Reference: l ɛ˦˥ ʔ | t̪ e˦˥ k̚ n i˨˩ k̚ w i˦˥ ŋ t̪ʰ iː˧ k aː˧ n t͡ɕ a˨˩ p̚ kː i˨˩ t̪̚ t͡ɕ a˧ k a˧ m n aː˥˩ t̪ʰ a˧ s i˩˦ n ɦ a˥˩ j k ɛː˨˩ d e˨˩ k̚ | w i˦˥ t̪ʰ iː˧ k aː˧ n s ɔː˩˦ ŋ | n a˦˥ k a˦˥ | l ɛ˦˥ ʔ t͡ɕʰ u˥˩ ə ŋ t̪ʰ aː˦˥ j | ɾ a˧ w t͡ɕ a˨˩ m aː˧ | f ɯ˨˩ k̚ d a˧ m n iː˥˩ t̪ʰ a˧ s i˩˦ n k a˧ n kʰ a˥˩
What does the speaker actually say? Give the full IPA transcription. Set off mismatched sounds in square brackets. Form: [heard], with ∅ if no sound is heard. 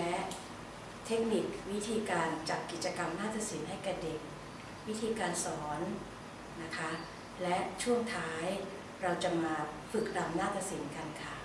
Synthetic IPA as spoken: l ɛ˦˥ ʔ | [t̪ʰ] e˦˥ k̚ n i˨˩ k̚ w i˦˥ [∅] t̪ʰ iː˧ k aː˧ n t͡ɕ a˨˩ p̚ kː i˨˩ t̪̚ t͡ɕ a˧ k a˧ m n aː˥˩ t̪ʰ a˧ s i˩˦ n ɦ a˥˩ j k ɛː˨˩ d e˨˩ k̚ | w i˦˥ t̪ʰ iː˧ k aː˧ n s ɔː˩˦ [n] | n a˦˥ [kʰ] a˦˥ | l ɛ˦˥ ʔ t͡ɕʰ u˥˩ ə ŋ t̪ʰ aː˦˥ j | ɾ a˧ w t͡ɕ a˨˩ m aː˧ | f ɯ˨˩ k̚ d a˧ m n [aː˥˩] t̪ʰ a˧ s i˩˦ n k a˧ n kʰ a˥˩

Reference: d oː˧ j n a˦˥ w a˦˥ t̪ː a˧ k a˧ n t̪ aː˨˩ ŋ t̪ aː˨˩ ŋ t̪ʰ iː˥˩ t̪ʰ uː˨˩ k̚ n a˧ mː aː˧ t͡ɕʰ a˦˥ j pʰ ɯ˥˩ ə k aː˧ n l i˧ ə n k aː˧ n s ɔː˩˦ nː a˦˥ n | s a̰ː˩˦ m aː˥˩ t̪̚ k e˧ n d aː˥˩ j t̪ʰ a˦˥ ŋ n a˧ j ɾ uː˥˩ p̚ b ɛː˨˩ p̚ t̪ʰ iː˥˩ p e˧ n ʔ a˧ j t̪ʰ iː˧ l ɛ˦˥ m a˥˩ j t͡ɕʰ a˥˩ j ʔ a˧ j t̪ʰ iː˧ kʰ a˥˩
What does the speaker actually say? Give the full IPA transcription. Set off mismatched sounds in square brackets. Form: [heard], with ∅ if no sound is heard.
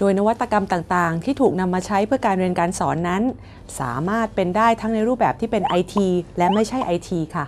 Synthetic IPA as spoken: d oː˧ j n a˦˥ w a˦˥ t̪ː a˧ k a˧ [m] t̪ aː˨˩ ŋ t̪ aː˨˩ ŋ t̪ʰ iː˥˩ t̪ʰ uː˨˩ k̚ n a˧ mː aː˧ t͡ɕʰ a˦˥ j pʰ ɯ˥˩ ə k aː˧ n [ɾ] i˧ ə n k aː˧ n s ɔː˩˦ nː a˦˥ n | s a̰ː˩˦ m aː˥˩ t̪̚ [p] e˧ n d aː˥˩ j t̪ʰ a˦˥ ŋ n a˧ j ɾ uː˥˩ p̚ b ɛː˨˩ p̚ t̪ʰ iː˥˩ p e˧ n ʔ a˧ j t̪ʰ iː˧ l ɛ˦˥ m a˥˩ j t͡ɕʰ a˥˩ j ʔ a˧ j t̪ʰ iː˧ kʰ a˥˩

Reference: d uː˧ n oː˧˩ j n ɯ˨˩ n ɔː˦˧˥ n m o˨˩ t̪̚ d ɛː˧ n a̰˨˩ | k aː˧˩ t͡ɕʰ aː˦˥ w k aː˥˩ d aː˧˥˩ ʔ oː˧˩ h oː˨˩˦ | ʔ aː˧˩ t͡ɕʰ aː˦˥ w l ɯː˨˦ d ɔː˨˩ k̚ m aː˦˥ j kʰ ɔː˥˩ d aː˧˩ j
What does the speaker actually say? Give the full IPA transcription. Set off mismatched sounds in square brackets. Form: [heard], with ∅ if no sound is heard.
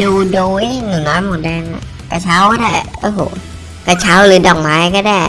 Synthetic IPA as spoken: d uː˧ [d] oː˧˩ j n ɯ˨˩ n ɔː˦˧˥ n m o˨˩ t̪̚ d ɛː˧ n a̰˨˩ | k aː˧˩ t͡ɕʰ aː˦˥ w k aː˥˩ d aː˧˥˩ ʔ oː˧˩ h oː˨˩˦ | [k] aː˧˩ t͡ɕʰ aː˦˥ w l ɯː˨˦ d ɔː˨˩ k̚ m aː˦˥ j [k] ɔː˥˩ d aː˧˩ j

